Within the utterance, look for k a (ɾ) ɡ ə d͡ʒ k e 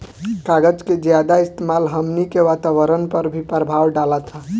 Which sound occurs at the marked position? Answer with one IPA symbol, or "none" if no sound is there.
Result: none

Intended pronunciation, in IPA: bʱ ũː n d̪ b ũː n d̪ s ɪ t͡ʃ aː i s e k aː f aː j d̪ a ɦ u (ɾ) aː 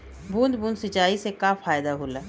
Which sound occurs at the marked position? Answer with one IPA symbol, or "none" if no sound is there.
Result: l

